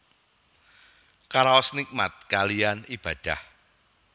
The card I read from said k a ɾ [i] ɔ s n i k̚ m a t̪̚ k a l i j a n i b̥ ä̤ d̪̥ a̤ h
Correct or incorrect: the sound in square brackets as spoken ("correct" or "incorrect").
incorrect